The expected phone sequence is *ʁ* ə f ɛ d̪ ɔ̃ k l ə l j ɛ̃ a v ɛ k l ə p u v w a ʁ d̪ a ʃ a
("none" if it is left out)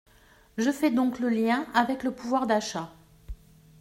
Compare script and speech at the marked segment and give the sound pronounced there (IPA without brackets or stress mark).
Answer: ʒ